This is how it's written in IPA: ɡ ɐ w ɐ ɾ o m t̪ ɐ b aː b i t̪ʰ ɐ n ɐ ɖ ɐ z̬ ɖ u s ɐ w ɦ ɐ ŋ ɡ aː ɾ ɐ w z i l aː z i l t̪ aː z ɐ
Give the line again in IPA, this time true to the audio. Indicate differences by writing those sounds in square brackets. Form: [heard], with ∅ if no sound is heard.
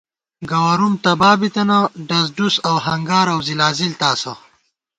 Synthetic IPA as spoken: ɡ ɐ w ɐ ɾ [u] m t̪ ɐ b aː b i [t̪] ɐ n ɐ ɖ ɐ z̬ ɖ u s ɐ w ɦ ɐ ŋ ɡ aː ɾ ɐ w z i l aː z i l t̪ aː [s] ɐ